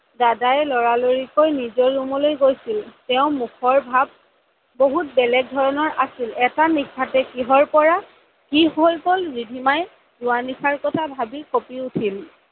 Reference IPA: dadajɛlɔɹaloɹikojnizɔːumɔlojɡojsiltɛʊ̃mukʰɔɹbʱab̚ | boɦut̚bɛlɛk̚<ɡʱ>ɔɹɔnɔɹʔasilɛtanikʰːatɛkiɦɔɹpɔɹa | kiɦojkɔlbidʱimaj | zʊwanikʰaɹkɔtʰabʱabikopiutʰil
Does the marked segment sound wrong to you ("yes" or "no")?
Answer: yes